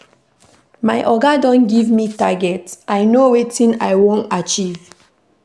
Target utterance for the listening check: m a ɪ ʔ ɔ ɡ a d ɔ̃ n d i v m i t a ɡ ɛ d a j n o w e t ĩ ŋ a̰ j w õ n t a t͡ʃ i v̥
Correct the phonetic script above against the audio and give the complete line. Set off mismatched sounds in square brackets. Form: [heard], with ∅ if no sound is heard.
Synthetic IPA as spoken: m a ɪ ʔ ɔ ɡ a d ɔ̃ n [ɡ] i v m i t a ɡ ɛ [t] a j n o w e t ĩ [n] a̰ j w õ n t a t͡ʃ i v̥